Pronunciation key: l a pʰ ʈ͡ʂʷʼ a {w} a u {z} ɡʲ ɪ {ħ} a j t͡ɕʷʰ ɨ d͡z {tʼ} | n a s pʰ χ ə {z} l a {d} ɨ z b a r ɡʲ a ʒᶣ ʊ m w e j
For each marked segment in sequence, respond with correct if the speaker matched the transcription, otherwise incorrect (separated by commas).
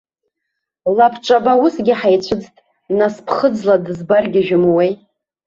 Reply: incorrect, incorrect, correct, correct, incorrect, correct